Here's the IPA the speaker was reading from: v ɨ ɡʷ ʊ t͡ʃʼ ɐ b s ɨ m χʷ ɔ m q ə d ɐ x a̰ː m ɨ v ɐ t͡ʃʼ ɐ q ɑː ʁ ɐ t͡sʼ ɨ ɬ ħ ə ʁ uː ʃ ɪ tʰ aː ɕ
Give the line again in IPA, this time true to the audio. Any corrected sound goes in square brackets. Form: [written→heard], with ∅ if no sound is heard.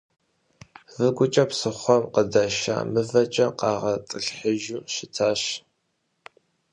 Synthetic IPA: v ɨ ɡʷ ʊ t͡ʃʼ ɐ [b→p] s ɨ [m→∅] χʷ ɔ m q ə d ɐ [x→ʃ] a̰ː m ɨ v ɐ t͡ʃʼ ɐ q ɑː ʁ ɐ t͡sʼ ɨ ɬ ħ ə [ʁ→ʒ] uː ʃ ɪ tʰ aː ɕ